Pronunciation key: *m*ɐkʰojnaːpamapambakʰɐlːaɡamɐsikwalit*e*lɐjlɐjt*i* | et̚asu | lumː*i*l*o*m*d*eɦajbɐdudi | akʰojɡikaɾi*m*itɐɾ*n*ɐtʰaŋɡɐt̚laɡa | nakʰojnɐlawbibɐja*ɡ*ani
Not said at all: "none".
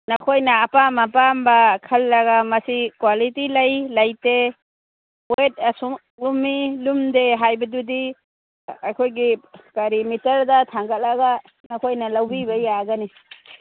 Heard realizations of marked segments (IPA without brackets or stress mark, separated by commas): n, i, e, i, u, d, m, d, ɡ